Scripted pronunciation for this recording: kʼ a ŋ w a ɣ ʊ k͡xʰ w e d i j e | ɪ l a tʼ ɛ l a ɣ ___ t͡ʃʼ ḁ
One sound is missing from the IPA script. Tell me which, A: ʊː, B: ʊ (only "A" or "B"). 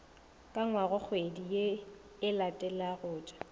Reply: A